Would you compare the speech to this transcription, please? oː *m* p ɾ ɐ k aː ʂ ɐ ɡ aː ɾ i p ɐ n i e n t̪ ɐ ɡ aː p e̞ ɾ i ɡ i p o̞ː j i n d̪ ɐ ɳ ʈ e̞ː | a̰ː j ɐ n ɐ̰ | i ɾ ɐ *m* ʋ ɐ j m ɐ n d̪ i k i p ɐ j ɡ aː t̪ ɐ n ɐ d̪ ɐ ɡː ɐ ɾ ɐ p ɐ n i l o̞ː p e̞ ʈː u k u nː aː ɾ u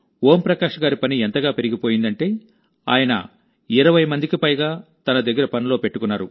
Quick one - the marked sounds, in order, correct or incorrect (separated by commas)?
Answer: correct, incorrect